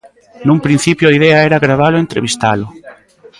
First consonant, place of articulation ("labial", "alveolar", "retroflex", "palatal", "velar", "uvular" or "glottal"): alveolar